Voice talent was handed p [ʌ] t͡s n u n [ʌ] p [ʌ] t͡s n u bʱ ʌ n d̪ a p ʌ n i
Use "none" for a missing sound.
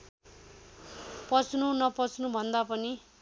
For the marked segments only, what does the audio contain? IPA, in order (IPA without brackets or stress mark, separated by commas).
ʌ, ʌ, ʌ